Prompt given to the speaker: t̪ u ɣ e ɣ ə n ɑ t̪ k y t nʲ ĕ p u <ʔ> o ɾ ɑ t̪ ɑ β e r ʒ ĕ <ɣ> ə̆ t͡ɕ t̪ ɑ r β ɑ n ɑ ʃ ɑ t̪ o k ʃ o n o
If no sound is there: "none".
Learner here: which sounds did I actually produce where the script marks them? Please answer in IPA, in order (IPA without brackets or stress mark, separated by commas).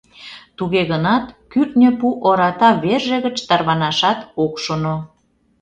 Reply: ʔ, ɣ